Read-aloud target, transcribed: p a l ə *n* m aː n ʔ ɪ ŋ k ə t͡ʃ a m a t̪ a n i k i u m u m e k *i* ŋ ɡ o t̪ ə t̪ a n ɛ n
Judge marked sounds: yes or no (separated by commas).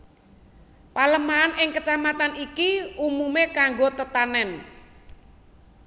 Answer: no, no